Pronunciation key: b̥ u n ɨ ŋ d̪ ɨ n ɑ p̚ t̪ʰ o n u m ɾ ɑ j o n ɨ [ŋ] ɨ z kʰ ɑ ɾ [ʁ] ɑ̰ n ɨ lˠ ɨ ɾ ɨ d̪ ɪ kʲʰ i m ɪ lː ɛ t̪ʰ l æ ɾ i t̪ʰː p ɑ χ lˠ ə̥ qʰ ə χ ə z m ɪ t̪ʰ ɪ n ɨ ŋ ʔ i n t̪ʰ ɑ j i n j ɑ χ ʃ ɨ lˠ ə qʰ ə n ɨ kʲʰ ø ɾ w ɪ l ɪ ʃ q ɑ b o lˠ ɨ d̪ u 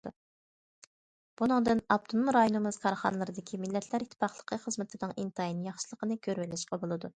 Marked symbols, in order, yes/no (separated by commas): no, no